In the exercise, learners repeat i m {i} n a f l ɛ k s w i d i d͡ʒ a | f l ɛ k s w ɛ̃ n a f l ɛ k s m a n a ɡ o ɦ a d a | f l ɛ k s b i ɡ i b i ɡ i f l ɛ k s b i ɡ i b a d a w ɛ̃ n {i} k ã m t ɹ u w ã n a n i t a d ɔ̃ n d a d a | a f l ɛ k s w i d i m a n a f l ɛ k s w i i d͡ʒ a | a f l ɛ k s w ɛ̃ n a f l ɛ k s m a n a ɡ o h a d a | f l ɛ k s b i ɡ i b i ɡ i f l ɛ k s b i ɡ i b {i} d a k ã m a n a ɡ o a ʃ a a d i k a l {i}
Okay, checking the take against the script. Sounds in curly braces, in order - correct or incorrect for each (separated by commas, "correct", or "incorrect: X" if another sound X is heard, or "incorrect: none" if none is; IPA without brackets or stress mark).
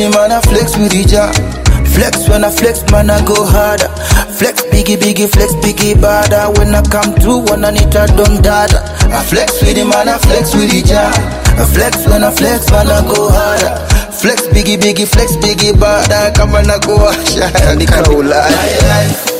incorrect: a, incorrect: a, incorrect: a, incorrect: a